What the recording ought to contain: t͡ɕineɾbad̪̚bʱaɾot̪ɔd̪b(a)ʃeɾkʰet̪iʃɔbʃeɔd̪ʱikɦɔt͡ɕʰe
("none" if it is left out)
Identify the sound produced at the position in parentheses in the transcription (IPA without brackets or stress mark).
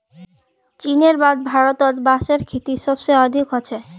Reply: a